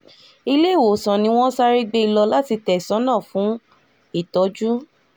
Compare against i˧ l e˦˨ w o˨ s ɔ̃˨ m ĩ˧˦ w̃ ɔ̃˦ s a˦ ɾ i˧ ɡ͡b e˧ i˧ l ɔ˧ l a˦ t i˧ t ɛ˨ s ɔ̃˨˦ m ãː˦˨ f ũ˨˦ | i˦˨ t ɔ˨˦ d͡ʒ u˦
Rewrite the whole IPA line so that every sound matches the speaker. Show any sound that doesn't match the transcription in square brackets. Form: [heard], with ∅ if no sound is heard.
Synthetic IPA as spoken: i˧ l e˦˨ w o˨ s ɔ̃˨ [n] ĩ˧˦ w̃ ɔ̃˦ s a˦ ɾ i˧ ɡ͡b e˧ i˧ l ɔ˧ l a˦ t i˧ t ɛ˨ s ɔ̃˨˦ [n] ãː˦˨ f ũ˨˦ | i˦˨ t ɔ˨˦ d͡ʒ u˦